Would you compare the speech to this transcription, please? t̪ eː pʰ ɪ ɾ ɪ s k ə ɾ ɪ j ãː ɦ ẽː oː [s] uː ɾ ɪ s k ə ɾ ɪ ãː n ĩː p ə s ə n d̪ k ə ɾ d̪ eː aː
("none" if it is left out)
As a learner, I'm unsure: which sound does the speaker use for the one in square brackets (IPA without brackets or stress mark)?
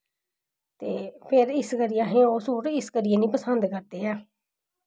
s